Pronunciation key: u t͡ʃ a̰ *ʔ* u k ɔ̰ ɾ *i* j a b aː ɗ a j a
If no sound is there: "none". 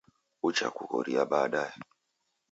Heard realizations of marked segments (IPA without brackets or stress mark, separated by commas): k, i